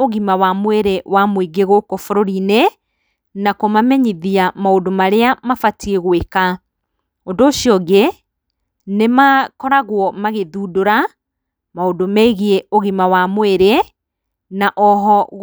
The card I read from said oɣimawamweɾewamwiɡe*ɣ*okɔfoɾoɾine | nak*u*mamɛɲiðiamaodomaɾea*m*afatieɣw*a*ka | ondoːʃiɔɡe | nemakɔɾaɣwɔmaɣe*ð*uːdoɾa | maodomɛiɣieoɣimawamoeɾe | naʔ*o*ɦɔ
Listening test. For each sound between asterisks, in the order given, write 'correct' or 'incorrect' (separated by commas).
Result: correct, incorrect, correct, incorrect, correct, incorrect